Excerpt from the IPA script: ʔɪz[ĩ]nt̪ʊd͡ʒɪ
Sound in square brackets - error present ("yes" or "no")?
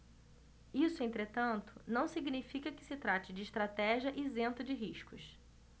yes